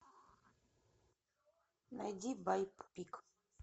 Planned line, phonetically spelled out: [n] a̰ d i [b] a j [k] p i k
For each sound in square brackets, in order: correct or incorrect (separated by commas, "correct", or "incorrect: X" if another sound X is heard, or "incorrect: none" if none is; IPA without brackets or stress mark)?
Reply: correct, correct, incorrect: p